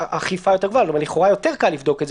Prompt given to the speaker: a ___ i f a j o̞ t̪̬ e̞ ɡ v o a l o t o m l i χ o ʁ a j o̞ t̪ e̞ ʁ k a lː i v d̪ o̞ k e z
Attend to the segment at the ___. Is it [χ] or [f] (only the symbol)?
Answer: χ